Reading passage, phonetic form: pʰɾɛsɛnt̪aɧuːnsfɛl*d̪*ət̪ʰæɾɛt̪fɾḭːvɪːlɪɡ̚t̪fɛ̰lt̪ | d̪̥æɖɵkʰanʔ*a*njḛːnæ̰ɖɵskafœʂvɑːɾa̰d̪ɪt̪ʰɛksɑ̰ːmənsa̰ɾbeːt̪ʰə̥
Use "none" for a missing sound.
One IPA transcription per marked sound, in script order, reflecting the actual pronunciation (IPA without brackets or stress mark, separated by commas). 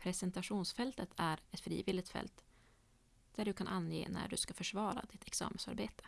t̪, a